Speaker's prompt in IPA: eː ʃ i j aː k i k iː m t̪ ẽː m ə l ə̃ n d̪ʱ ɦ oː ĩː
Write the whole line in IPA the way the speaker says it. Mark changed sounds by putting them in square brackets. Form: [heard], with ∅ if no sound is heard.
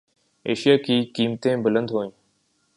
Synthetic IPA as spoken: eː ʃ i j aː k [iː] k iː m t̪ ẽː [b] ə l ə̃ n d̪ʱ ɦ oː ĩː